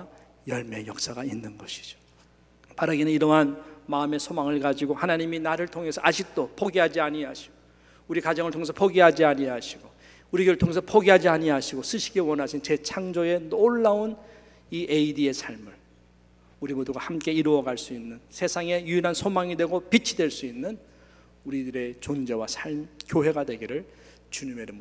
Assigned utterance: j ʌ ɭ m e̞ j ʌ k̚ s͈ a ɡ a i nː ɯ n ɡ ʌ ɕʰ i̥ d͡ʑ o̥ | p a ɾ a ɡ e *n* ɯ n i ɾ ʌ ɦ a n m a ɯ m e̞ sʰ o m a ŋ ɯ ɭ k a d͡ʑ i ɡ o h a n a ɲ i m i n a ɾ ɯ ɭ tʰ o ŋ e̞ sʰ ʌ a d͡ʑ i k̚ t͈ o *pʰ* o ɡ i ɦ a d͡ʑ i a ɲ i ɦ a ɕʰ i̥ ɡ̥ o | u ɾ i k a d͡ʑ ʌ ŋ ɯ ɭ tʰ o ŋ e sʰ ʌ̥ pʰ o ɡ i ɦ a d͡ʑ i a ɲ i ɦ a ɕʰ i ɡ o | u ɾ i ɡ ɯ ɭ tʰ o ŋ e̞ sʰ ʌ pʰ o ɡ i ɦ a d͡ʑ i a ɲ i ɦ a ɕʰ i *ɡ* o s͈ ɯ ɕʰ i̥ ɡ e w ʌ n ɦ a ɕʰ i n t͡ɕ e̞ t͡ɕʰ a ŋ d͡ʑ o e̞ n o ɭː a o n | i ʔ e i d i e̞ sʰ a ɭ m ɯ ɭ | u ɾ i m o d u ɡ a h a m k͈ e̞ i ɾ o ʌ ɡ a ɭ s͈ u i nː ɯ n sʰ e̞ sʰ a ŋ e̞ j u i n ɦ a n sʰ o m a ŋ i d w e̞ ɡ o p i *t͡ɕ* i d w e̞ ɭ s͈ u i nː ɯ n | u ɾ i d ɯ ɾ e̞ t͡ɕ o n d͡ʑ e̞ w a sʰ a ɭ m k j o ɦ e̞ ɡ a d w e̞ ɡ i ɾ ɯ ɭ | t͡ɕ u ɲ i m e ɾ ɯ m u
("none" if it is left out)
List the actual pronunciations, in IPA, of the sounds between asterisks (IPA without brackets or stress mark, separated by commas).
n, pʰ, ɡ, t͡ɕʰ